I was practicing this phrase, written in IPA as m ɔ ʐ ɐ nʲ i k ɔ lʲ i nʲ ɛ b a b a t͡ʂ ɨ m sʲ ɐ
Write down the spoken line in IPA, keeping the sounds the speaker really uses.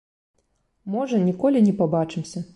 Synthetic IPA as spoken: m ɔ ʐ ɐ nʲ i k ɔ lʲ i nʲ ɛ p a b a t͡ʂ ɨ m sʲ ɐ